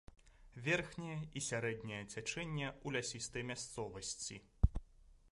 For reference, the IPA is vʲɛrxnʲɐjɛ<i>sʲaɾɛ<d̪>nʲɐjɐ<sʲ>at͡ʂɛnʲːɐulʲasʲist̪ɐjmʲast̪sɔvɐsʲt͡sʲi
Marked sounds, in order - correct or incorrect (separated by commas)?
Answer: correct, correct, incorrect